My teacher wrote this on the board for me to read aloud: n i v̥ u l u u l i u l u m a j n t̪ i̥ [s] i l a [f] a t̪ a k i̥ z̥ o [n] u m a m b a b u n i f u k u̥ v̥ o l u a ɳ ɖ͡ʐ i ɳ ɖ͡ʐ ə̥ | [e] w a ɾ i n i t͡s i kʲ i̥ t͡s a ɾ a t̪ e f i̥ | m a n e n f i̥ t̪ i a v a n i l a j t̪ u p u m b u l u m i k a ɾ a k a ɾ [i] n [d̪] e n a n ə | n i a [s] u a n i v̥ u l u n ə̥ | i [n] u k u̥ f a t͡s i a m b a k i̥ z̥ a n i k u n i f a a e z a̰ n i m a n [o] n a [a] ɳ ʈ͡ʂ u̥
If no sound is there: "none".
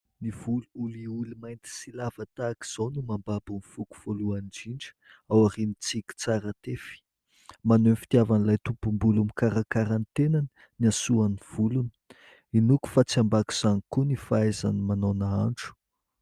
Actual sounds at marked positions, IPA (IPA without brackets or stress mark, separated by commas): s, v, n, a, a, t̪, s, n, o, a